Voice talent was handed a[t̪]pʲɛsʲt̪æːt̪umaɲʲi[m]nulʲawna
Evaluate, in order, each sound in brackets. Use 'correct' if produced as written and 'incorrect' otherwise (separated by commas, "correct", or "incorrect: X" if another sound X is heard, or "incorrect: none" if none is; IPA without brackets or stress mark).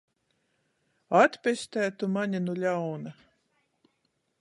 correct, incorrect: none